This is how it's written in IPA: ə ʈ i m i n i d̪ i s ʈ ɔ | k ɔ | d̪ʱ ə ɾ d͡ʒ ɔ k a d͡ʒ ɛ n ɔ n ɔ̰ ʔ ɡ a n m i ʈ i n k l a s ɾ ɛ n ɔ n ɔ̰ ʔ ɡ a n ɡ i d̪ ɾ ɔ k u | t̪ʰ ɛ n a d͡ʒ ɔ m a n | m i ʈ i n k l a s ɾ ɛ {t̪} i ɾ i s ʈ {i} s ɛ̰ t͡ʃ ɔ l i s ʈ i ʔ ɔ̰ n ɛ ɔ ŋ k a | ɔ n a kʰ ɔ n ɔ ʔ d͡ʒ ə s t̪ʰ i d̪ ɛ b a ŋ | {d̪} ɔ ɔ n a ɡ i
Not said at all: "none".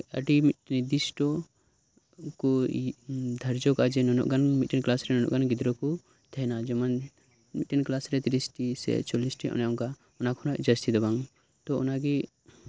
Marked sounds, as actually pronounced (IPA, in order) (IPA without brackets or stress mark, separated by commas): t̪, i, t̪